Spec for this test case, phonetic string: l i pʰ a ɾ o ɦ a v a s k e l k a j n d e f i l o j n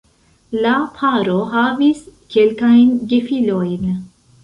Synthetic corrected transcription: l a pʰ a ɾ o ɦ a v i s k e l k a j n ɡ e f i l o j n